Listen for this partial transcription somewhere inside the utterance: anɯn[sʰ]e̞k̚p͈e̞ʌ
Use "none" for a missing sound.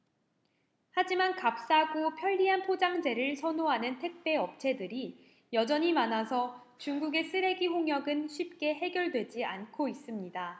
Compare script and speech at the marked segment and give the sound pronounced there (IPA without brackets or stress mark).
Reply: tʰ